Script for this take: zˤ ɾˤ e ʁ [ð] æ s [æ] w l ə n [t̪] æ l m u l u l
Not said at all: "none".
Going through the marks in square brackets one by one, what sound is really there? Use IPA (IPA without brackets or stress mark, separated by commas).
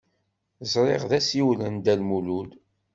ð, i, d̪